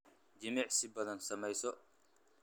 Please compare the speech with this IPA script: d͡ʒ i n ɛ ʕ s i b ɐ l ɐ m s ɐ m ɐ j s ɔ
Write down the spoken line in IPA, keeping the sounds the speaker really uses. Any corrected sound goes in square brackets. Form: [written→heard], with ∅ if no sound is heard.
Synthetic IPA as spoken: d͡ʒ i [n→m] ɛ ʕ s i b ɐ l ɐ [m→n] s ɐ m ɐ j s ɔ